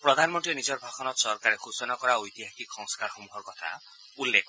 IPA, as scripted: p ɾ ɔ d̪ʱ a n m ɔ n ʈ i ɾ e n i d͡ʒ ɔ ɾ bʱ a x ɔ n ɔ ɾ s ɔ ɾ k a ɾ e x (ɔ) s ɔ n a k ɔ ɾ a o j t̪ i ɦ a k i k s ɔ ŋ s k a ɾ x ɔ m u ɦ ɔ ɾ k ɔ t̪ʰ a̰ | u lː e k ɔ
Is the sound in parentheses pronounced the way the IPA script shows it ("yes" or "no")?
no